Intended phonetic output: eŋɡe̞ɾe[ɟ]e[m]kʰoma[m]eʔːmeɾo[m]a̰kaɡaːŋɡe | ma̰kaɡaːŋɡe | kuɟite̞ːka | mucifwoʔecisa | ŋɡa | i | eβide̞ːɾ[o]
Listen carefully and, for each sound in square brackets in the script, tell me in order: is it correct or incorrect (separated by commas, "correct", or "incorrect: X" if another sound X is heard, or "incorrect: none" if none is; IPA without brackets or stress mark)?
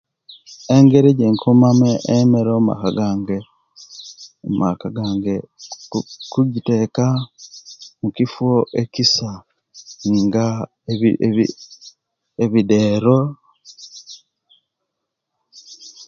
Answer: correct, incorrect: ŋ, correct, correct, correct